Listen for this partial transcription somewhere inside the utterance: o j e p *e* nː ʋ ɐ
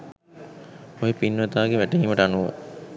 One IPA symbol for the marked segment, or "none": i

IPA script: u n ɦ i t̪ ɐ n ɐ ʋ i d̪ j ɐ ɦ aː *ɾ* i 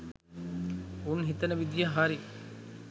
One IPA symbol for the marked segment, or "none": ɾ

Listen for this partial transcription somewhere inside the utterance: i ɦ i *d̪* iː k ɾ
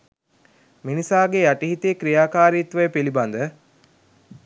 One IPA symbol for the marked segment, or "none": t̪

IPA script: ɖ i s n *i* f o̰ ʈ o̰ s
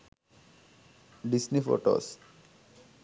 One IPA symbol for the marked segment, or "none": i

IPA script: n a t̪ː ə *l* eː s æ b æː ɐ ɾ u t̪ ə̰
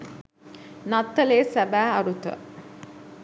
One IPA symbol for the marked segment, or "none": l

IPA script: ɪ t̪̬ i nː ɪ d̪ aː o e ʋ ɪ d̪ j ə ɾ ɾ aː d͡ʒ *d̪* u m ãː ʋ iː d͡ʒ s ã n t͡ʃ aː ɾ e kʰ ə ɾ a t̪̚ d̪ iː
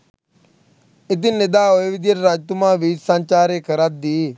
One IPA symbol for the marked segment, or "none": t̪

